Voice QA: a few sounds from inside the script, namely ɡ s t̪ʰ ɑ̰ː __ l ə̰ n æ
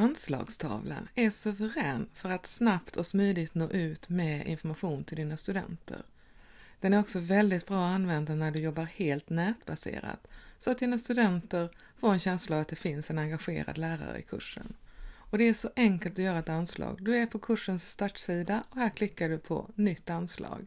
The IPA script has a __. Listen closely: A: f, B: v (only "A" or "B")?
B